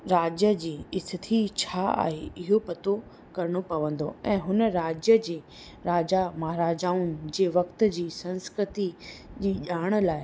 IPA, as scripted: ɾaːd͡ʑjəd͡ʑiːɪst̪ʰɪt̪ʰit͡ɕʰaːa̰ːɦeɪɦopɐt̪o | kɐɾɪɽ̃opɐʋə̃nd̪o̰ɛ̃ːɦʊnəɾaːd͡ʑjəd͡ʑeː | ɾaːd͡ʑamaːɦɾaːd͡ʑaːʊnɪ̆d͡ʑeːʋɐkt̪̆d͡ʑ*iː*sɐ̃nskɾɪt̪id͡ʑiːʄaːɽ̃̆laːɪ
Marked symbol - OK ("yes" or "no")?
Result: yes